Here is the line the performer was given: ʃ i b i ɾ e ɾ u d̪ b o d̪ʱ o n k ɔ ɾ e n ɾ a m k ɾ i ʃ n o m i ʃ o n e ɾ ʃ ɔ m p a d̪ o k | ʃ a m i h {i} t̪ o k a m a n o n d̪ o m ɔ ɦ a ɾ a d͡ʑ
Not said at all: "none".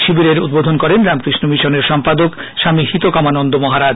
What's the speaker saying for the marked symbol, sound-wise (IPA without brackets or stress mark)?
i